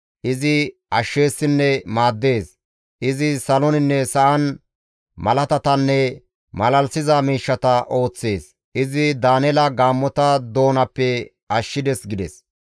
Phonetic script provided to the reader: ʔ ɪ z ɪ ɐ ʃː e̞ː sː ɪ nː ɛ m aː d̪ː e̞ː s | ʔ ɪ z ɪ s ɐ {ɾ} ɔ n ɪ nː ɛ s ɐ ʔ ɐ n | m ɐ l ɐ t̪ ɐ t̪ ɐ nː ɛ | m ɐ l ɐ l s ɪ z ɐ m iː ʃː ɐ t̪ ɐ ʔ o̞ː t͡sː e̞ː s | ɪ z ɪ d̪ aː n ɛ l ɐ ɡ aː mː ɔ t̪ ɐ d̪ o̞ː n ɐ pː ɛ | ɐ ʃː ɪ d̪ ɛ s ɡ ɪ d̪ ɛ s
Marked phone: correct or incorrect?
incorrect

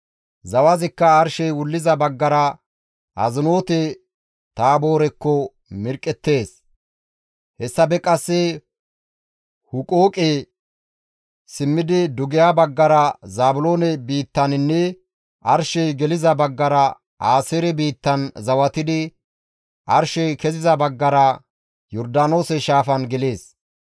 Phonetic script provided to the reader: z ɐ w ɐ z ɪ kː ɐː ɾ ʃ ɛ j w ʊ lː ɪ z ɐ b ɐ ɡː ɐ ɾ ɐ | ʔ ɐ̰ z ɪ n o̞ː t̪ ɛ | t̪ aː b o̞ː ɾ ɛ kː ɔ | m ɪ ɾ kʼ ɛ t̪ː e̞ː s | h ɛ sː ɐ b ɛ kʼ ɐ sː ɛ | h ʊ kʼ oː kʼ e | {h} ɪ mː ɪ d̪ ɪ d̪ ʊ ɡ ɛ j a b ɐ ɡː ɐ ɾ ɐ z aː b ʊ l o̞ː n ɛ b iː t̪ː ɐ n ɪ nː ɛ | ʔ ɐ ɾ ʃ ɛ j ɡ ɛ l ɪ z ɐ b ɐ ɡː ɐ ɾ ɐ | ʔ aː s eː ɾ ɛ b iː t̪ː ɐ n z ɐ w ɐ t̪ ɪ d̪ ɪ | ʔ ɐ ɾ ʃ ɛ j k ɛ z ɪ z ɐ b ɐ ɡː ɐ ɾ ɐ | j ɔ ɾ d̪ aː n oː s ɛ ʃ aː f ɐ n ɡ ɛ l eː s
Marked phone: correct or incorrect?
incorrect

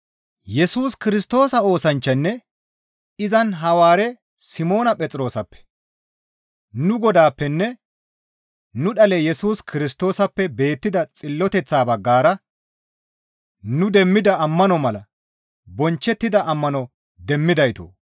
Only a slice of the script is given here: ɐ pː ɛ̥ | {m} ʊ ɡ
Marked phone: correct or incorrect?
incorrect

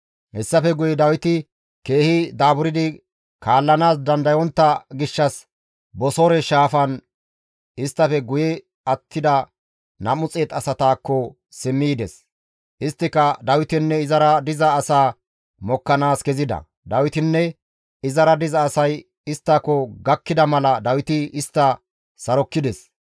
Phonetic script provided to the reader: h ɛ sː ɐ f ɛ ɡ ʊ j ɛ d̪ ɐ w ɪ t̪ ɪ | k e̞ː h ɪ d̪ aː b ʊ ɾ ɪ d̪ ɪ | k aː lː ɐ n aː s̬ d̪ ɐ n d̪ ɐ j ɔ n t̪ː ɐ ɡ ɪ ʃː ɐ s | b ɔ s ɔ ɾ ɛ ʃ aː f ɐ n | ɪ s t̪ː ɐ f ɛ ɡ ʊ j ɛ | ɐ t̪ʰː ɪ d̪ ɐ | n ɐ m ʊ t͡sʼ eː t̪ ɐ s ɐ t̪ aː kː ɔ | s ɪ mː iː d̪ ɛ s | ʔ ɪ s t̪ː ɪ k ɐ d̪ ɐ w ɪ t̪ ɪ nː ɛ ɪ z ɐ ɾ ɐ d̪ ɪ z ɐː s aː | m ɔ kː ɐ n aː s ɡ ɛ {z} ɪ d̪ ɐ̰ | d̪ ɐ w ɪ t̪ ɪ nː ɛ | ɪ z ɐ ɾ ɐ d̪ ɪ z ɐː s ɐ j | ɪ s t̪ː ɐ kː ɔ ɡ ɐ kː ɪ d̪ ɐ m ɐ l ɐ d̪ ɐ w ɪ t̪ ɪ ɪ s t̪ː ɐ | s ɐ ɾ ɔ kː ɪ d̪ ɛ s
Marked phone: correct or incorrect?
correct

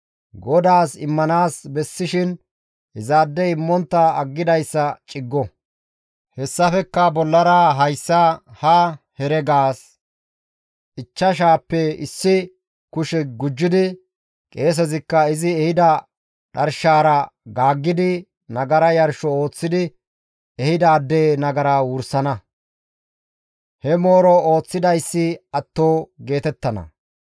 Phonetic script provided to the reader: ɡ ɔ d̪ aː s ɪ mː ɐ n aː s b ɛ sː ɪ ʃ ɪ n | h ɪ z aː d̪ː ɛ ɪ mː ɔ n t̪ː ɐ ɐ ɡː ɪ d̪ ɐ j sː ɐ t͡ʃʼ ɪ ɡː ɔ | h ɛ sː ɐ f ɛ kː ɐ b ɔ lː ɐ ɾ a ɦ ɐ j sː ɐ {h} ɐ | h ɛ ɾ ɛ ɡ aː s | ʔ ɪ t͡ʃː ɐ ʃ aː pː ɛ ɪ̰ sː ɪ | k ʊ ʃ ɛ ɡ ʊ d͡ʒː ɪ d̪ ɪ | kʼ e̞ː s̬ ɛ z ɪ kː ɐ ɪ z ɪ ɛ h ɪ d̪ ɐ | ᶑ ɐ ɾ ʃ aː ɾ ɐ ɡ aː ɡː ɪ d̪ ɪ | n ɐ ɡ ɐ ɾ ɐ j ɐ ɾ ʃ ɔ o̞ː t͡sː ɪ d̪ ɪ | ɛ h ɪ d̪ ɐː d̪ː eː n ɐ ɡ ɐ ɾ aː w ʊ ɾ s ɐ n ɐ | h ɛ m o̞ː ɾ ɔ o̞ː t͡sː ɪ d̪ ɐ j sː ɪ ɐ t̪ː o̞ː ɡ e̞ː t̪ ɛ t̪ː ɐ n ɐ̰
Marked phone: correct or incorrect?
correct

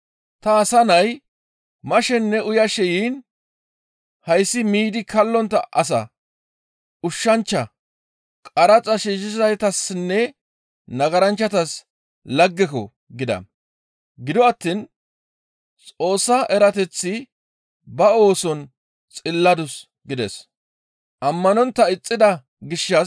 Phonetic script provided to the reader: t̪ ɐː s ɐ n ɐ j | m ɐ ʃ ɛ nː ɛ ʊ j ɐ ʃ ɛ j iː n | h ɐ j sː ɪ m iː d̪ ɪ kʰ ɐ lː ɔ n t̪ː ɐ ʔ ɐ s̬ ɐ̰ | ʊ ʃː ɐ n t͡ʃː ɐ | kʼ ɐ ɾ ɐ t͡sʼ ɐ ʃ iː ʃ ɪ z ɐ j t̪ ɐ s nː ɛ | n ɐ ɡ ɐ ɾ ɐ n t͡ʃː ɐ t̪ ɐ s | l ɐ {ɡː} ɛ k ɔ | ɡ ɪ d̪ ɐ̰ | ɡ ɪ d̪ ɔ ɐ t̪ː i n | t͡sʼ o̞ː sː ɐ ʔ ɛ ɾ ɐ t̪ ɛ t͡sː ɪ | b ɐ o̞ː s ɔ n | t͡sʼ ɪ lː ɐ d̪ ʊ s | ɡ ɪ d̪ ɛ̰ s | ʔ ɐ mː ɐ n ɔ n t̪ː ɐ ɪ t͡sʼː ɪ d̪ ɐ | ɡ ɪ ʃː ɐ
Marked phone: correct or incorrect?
correct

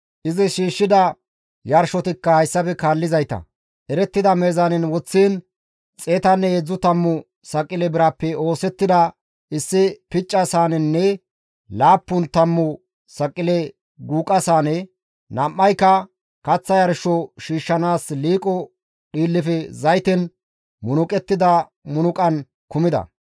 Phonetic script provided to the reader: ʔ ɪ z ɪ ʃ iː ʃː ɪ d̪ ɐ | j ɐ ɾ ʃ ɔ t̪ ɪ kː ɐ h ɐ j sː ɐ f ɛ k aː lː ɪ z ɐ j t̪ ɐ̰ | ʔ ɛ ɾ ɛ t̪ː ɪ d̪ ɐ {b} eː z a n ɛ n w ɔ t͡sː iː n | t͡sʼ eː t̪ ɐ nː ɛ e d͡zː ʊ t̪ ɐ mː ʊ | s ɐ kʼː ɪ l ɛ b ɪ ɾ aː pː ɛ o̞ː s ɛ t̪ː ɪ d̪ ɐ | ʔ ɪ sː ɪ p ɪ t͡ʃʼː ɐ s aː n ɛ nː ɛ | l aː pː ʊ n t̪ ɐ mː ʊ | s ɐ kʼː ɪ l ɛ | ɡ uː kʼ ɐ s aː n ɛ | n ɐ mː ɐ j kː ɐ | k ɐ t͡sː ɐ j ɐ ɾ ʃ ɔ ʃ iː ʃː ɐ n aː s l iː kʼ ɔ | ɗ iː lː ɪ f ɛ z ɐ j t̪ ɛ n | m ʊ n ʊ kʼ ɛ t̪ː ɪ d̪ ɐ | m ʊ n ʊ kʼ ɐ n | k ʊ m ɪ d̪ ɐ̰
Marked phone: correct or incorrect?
incorrect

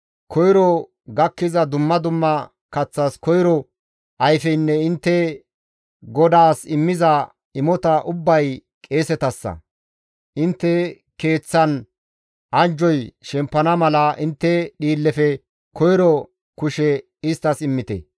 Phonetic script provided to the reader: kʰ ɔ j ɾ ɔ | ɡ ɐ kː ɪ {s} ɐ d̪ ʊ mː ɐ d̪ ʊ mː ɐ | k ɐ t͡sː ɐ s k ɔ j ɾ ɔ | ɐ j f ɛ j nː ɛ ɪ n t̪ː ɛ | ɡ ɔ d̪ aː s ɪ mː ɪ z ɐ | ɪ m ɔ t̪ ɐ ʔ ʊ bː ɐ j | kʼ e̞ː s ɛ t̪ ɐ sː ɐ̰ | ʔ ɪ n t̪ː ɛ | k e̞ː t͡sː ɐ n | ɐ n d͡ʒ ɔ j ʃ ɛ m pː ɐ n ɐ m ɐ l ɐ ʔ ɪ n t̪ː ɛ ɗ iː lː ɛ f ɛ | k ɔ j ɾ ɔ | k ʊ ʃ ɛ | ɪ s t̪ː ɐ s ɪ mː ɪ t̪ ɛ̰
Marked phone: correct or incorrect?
incorrect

